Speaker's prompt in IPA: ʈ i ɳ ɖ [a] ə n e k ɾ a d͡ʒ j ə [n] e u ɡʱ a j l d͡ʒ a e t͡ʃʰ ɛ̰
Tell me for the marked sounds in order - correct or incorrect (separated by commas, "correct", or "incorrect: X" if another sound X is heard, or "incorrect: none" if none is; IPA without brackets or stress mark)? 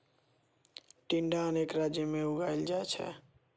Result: correct, incorrect: m